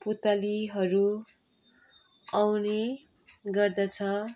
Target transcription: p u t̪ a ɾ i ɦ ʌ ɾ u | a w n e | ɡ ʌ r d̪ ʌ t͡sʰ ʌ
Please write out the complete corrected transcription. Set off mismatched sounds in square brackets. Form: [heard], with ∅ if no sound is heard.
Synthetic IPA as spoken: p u t̪ a [l] i ɦ ʌ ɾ u | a w n e | ɡ ʌ r d̪ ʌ t͡sʰ ʌ